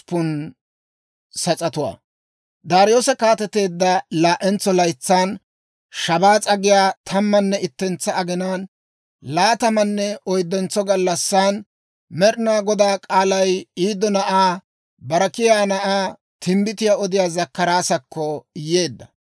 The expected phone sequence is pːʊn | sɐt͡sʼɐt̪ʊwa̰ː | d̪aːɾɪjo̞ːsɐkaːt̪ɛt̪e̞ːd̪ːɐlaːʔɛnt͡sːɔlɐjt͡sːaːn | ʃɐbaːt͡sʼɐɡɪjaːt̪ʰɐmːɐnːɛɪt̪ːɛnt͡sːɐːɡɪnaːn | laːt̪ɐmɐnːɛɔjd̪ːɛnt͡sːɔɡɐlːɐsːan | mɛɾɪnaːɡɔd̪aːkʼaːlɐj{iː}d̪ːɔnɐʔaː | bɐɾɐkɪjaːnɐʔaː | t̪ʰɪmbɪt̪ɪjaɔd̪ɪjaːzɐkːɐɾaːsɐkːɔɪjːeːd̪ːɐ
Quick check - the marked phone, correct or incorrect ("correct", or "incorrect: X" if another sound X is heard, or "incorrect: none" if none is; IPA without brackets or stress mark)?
correct